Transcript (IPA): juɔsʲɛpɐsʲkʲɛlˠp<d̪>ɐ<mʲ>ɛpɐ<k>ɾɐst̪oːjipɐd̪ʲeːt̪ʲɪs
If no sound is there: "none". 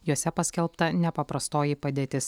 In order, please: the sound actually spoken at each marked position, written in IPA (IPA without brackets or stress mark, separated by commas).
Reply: t̪, nʲ, p